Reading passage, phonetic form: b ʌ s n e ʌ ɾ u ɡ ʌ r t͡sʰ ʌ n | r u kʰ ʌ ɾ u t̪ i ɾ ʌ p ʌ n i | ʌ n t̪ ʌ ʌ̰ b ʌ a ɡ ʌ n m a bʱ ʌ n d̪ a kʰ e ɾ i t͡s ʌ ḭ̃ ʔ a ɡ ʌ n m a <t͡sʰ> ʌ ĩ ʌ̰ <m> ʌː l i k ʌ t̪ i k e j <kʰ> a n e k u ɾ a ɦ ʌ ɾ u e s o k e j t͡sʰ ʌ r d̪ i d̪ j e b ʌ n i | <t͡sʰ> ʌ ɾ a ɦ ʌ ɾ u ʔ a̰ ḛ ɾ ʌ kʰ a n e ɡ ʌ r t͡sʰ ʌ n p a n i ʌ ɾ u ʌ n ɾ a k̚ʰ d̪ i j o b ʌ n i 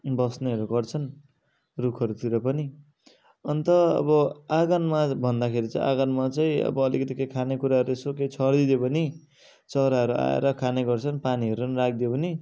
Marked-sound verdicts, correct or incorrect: incorrect: t͡s, incorrect: b, correct, incorrect: t͡s

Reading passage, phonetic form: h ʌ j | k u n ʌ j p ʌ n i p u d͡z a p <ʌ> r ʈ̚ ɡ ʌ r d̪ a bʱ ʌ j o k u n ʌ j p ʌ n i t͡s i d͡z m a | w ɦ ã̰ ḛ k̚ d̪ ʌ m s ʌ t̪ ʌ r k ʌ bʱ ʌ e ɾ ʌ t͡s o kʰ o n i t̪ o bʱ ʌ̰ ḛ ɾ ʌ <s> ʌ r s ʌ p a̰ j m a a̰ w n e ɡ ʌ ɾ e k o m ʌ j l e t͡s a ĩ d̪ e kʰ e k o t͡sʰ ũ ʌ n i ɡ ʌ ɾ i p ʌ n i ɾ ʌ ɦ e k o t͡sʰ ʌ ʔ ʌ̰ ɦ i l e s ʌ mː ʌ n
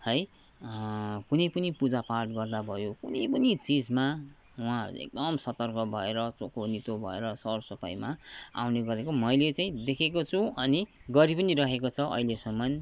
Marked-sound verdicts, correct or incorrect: incorrect: a, correct

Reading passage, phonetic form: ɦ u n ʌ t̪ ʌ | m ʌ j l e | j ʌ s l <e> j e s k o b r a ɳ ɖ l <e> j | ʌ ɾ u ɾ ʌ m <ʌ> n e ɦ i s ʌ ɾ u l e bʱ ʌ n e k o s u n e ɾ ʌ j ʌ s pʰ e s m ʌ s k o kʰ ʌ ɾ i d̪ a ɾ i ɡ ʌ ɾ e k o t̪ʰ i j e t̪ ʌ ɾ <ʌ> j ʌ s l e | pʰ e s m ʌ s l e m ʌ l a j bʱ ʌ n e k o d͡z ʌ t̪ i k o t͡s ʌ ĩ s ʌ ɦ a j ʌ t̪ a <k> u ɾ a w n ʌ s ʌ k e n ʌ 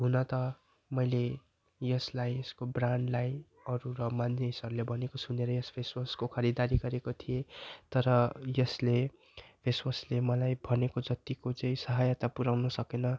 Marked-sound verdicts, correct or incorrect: incorrect: a, incorrect: a, incorrect: a, correct, incorrect: p

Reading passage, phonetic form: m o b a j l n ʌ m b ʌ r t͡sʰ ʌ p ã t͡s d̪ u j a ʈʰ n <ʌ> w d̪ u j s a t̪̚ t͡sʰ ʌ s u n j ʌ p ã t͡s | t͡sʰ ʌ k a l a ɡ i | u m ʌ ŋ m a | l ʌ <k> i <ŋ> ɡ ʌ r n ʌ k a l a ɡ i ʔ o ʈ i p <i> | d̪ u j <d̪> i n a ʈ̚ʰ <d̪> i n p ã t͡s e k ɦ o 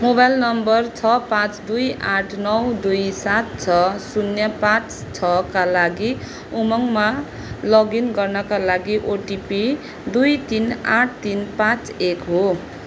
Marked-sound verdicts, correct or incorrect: correct, incorrect: ɡ, incorrect: n, correct, incorrect: t̪, incorrect: t̪

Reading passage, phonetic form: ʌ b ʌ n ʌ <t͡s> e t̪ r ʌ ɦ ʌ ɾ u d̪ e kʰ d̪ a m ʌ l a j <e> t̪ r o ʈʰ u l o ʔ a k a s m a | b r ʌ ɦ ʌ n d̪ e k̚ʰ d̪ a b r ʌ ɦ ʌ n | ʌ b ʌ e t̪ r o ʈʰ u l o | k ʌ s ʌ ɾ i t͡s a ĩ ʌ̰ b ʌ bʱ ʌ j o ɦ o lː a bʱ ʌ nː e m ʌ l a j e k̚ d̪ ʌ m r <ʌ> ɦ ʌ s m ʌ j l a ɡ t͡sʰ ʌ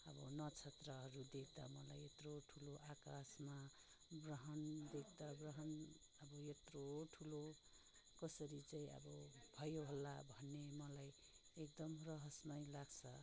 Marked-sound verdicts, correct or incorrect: incorrect: t͡sʰ, correct, correct

